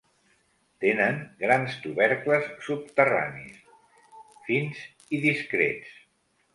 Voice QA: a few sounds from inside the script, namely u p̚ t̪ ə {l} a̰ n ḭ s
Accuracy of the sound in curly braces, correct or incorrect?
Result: incorrect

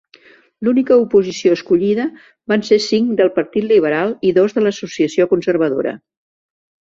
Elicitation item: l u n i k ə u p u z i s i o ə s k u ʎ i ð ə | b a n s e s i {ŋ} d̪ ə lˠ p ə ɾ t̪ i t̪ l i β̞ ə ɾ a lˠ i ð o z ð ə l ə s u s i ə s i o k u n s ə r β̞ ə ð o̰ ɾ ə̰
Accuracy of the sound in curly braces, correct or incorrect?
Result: correct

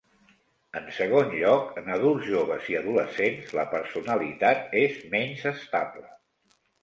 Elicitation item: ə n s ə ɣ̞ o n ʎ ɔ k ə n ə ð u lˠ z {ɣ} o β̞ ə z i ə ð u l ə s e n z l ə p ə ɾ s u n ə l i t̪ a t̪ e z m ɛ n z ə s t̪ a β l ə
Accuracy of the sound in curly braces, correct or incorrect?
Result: incorrect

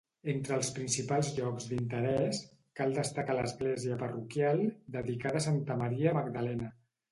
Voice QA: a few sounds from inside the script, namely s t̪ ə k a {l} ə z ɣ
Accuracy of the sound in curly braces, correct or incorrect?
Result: correct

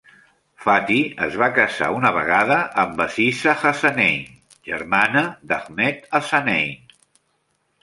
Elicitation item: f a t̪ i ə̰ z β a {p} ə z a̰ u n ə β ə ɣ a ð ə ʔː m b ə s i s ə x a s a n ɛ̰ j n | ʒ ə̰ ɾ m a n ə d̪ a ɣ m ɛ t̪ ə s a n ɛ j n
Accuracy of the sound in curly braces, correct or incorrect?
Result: incorrect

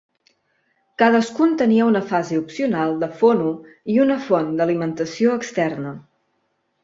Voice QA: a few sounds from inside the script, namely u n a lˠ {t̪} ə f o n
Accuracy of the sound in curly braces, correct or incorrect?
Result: incorrect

